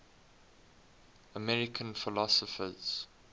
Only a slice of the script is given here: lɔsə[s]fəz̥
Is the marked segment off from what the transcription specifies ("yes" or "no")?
yes